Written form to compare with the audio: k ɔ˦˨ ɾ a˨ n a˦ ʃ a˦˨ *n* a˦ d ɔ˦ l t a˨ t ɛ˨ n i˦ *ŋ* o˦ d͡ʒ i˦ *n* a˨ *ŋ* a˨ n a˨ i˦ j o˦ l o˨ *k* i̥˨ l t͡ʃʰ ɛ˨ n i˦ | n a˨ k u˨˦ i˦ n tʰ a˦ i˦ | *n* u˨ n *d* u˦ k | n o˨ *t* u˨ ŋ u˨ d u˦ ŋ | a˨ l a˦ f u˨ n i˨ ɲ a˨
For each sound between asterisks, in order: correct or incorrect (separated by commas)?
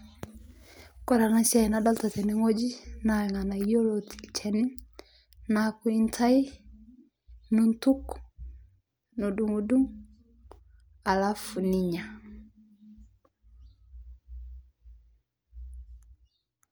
correct, correct, correct, correct, incorrect, correct, incorrect, incorrect